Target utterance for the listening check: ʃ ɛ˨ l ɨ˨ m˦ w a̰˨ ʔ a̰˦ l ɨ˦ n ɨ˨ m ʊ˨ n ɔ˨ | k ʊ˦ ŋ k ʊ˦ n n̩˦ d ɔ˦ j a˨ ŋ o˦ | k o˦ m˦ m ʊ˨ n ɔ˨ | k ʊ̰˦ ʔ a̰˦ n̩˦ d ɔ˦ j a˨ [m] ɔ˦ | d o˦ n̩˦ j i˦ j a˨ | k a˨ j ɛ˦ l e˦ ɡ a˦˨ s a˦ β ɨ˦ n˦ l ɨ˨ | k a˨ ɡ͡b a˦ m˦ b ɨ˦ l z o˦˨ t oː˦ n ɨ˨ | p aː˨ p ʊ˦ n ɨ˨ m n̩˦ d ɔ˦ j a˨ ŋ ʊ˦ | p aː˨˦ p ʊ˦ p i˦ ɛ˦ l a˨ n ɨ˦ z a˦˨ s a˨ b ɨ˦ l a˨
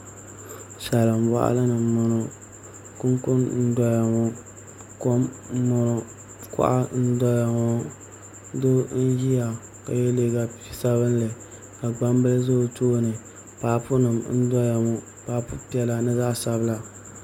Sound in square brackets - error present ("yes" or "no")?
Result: yes